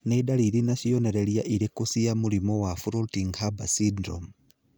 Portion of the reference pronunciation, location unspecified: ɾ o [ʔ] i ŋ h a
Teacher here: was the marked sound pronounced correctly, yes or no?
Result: no